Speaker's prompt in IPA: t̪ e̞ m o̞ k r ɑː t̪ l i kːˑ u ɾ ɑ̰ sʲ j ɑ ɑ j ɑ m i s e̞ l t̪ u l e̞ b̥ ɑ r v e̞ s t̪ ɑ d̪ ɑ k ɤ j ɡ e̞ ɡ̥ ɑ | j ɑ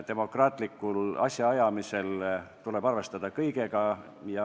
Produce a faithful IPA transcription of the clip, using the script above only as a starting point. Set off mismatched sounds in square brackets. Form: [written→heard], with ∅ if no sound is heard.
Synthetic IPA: t̪ e̞ m o̞ k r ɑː t̪ l i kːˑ u [ɾ→l] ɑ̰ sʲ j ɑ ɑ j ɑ m i s e̞ l t̪ u l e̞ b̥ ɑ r v e̞ s t̪ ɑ d̪ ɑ k ɤ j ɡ e̞ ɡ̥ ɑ | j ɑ